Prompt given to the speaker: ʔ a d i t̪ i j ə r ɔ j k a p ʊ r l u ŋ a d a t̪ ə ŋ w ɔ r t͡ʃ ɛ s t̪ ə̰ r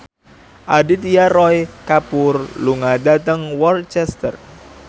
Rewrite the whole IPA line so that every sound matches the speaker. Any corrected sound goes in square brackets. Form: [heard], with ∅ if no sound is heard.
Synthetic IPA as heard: ʔ a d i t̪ i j [a] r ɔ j k a p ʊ r l u ŋ a d a t̪ ə ŋ w ɔ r t͡ʃ ɛ s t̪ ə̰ r